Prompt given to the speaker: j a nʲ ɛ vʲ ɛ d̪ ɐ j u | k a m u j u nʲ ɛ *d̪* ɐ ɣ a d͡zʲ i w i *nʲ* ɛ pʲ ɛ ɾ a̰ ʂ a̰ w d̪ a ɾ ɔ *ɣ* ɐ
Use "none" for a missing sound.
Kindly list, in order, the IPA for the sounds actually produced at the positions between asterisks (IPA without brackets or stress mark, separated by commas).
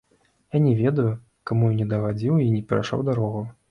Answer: d̪, nʲ, ɣ